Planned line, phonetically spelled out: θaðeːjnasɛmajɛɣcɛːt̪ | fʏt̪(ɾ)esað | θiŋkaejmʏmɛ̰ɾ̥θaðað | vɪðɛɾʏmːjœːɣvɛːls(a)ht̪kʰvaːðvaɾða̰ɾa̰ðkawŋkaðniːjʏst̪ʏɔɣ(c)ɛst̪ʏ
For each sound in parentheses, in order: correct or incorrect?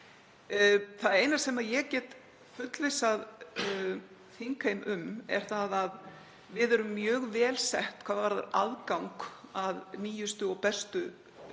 incorrect: l, incorrect: ɛ, incorrect: p

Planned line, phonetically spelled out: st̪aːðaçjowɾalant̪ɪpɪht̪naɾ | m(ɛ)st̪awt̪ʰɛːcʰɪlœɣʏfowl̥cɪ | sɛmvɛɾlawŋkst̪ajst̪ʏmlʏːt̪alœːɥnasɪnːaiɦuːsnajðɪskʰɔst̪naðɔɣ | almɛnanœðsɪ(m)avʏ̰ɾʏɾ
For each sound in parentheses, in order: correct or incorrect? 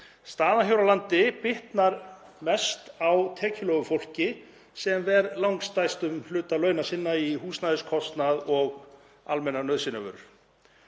correct, incorrect: n

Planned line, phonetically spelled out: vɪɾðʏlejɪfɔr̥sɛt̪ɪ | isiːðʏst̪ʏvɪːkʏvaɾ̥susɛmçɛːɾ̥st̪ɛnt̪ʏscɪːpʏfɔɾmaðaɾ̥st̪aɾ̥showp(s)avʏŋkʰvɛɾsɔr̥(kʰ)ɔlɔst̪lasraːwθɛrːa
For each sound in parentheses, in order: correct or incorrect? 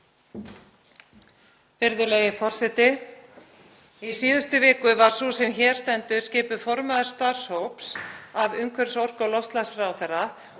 correct, incorrect: k

